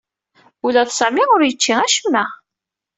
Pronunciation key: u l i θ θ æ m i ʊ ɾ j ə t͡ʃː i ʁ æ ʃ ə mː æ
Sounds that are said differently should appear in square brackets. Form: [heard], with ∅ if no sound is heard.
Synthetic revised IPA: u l [æ] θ [s] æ m i ʊ ɾ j ə t͡ʃː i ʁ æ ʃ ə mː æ